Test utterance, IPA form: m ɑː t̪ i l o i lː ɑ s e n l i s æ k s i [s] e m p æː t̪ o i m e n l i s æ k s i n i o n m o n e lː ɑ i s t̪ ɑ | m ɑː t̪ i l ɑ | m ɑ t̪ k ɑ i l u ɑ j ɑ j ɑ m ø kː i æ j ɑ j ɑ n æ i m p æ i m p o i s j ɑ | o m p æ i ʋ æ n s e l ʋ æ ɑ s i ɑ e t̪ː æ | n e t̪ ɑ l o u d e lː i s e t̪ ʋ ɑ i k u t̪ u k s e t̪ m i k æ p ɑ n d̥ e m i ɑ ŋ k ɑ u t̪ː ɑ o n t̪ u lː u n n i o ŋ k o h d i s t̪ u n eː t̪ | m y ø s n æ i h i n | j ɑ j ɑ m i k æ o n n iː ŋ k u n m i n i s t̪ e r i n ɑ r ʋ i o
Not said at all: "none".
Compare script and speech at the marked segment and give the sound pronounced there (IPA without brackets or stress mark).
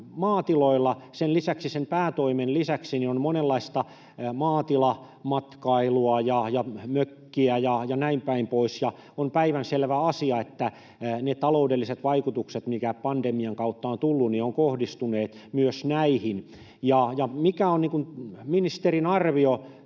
s